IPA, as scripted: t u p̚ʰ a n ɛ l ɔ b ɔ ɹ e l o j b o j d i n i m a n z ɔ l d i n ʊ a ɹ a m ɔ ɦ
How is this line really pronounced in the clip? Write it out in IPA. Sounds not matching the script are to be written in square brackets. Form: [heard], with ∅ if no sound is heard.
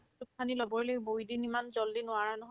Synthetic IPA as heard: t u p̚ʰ a n [i] l ɔ b ɔ ɹ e l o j b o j d i n i m a n z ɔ l d i n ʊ a ɹ a [n] ɔ ɦ